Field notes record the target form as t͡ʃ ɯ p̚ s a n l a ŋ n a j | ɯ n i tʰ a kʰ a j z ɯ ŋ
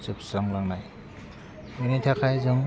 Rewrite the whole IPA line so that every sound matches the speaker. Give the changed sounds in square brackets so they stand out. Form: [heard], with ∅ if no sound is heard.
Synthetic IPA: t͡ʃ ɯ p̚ s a [ŋ] l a ŋ n a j | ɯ n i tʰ a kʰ a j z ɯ ŋ